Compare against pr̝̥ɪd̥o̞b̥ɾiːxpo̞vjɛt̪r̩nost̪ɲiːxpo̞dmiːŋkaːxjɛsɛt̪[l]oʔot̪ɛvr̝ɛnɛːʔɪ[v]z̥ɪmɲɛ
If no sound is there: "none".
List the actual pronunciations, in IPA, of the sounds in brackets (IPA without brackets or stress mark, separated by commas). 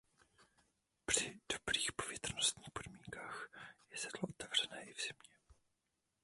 l, v